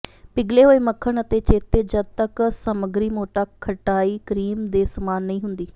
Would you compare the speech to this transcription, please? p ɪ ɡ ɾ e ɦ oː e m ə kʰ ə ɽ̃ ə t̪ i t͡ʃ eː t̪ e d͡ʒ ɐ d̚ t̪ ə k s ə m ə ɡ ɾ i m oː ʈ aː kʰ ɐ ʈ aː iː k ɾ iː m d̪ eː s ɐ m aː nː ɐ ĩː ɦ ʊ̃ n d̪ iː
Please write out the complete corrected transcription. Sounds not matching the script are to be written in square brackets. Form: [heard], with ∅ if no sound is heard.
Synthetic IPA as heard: p ɪ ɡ [l] e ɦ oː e m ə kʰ ə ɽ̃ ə t̪ [e] t͡ʃ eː t̪ e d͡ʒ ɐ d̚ t̪ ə k s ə m ə ɡ ɾ i m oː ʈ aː kʰ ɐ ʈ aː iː k ɾ iː m d̪ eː s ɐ m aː nː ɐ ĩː ɦ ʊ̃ n d̪ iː